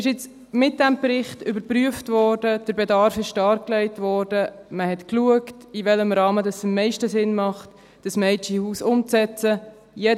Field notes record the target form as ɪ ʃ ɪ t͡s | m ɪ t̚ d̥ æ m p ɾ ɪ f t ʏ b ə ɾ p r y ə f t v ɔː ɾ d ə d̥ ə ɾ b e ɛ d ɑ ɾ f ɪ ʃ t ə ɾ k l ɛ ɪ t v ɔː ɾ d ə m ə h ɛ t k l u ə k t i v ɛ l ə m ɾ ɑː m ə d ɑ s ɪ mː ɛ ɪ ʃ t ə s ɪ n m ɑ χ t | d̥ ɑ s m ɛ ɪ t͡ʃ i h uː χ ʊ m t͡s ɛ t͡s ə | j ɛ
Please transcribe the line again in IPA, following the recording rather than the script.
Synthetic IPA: ɪ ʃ ɪ t͡s | m ɪ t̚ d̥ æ m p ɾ ɪ χ t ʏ b ə ɾ p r y ə f t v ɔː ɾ d ə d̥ ə ɾ b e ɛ d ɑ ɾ f ɪ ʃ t ɑ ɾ k l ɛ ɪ t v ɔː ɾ d ə m ə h ɛ t k l u ə k t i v ɛ l ə m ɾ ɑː m ə d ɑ s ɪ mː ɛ ɪ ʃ t ə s ɪ n m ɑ χ t | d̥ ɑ s m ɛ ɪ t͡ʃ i h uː s ʊ m t͡s ɛ t͡s ə | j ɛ